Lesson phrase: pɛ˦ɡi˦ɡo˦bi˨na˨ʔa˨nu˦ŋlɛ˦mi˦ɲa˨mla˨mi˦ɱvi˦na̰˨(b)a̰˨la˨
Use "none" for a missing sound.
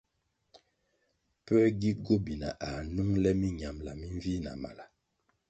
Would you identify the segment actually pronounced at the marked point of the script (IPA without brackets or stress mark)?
m